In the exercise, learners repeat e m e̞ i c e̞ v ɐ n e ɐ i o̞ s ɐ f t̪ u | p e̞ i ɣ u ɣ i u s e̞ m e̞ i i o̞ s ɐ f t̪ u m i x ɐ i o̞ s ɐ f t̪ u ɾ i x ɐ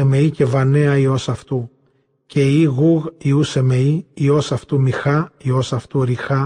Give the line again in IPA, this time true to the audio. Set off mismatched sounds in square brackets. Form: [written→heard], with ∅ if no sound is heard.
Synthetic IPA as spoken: e m e̞ i c e̞ v ɐ n e ɐ i o̞ s ɐ f t̪ u | [p→c] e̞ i ɣ u ɣ i u s e̞ m e̞ i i o̞ s ɐ f t̪ u m i x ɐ i o̞ s ɐ f t̪ u ɾ i x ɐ